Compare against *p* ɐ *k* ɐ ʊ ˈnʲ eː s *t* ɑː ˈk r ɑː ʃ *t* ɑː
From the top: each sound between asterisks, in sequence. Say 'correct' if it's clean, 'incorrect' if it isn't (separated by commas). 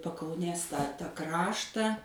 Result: correct, correct, correct, correct